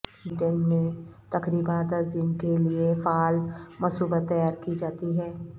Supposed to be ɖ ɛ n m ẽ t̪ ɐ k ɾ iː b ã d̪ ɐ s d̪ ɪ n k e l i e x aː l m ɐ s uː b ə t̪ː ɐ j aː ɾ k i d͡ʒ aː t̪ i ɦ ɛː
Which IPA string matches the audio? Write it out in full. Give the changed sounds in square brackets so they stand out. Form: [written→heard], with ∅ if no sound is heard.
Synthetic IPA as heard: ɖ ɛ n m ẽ t̪ ɐ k ɾ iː b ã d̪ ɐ s d̪ ɪ n k e l i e [x→f] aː l m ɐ s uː b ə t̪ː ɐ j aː ɾ k i d͡ʒ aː t̪ i ɦ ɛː